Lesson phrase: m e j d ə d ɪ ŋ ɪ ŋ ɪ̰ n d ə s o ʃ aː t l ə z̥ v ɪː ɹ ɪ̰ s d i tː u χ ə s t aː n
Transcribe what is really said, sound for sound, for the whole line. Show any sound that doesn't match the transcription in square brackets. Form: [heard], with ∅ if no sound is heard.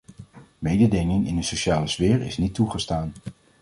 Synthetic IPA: m e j d ə d ɪ ŋ ɪ ŋ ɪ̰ n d ə s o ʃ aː [∅] l ə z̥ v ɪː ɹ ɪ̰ s [n] i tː u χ ə s t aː n